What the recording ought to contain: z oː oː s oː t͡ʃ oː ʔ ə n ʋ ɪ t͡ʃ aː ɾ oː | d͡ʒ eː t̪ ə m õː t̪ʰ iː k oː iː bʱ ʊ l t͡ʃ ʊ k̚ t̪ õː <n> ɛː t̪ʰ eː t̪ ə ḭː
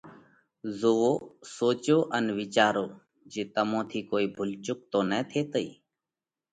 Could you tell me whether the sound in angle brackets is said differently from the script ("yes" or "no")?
no